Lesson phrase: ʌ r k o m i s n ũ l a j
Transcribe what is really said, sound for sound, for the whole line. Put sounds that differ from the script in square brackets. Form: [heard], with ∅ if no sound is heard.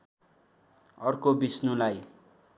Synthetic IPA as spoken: ʌ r k o [b] i s n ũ l a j